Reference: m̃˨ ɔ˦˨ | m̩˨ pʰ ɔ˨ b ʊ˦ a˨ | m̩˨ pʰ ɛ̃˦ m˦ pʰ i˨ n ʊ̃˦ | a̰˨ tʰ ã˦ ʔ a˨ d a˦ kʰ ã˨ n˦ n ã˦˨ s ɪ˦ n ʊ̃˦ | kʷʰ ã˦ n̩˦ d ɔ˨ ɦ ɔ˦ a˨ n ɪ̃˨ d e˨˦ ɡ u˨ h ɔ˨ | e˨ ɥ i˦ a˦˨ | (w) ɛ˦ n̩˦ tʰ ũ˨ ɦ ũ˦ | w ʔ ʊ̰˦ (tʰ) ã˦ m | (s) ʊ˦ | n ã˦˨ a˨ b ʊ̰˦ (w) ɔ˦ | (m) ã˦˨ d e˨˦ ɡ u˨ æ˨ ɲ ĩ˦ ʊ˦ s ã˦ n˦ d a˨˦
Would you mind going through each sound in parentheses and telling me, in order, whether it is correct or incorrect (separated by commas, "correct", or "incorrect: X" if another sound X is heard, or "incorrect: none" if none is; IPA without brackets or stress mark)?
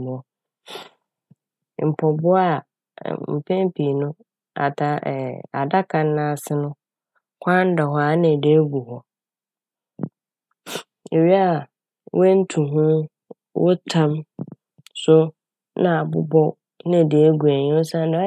correct, correct, correct, incorrect: b, incorrect: n